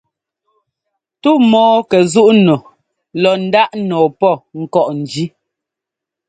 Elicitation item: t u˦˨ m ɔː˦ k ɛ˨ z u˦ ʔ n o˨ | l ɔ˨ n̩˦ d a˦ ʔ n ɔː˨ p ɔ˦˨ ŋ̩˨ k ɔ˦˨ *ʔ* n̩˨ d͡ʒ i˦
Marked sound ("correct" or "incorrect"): correct